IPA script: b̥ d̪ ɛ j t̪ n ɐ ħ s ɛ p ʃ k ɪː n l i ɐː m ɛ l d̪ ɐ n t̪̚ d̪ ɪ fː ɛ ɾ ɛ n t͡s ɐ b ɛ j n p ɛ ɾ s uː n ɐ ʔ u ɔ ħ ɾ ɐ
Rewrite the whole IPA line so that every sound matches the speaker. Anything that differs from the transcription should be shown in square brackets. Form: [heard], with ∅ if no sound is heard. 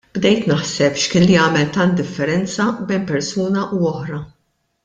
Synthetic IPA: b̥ d̪ ɛ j t̪ n ɐ ħ s ɛ p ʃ k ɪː n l i ɐː m ɛ l [t̪] ɐ n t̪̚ d̪ ɪ fː ɛ ɾ ɛ n t͡s ɐ b ɛ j n p ɛ ɾ s uː n ɐ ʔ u ɔ ħ ɾ ɐ